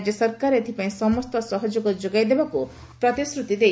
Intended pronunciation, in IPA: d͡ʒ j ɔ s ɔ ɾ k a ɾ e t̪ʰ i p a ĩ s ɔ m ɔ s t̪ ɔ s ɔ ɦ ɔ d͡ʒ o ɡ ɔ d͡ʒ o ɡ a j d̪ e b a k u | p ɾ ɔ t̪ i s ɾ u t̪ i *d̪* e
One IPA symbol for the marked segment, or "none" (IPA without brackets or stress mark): d̪